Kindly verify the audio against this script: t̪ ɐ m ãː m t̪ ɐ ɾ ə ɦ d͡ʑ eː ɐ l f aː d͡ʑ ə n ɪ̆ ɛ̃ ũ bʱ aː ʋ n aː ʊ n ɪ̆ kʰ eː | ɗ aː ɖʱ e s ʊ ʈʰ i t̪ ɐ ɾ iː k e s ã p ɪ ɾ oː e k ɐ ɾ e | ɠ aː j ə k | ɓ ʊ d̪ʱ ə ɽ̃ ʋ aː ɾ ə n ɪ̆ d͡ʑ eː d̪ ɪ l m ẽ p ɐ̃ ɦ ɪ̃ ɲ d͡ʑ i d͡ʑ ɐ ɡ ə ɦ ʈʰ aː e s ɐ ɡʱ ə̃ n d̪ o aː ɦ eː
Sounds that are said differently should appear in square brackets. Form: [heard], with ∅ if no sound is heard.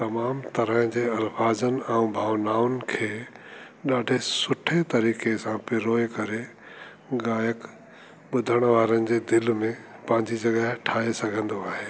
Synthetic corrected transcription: t̪ ɐ m [aː] m t̪ ɐ ɾ ə ɦ d͡ʑ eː ɐ l f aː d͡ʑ ə n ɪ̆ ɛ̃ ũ bʱ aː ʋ n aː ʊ n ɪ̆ kʰ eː | ɗ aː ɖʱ e s ʊ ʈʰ [e] t̪ ɐ ɾ iː k e s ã p ɪ ɾ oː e k ɐ ɾ e | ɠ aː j ə k | ɓ ʊ d̪ʱ ə ɽ̃ ʋ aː ɾ ə n ɪ̆ d͡ʑ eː d̪ ɪ l m ẽ p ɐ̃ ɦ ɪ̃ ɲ d͡ʑ i d͡ʑ ɐ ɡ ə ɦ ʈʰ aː e s ɐ ɡʱ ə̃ n d̪ o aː ɦ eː